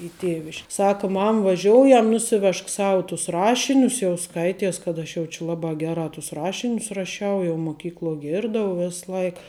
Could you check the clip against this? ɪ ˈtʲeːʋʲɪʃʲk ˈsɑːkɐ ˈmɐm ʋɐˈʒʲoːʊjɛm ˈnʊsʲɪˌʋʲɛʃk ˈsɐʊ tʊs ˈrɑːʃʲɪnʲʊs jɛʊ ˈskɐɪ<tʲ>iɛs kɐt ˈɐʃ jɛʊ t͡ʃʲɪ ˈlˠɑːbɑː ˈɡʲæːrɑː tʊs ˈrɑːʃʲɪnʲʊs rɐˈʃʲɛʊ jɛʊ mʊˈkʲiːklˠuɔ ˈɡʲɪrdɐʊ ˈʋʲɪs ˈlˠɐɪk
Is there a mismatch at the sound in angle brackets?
no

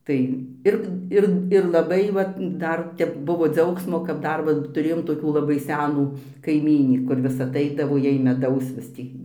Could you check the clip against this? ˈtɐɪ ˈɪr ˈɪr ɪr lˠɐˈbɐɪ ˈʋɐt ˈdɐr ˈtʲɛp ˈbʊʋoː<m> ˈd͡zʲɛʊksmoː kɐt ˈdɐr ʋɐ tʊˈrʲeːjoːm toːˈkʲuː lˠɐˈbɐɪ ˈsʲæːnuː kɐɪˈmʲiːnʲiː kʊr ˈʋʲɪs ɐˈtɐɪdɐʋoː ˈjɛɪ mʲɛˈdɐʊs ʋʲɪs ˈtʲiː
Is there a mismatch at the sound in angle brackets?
yes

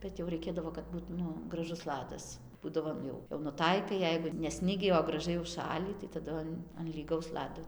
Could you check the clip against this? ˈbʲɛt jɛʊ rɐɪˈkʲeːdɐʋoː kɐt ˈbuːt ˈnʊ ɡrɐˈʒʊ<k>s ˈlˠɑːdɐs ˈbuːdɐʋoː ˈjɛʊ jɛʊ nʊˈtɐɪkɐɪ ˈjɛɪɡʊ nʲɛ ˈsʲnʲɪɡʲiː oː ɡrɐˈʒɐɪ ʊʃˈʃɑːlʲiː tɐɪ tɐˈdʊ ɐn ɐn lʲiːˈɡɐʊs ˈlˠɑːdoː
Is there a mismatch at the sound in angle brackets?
yes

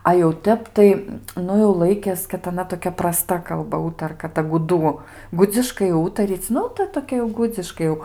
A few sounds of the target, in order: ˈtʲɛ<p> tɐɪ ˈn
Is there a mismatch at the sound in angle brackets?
no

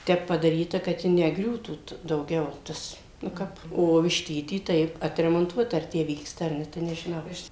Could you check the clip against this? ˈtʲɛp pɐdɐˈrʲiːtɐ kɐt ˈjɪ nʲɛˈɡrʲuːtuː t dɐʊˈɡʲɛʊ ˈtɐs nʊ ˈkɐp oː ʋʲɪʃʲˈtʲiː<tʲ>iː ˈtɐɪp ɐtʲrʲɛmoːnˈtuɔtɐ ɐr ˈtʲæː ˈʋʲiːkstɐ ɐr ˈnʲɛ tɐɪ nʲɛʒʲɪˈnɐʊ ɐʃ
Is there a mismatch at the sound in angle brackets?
no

